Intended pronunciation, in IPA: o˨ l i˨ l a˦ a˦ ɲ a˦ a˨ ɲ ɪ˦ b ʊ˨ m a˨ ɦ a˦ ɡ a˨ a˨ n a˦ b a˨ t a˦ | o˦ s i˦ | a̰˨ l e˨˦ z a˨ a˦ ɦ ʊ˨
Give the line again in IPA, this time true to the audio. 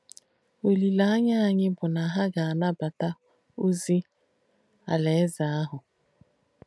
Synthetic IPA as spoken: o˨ l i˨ l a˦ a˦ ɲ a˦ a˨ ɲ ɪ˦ b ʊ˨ n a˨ ɦ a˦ ɡ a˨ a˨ n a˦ b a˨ t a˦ | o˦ z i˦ | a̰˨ l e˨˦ z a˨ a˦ ɦ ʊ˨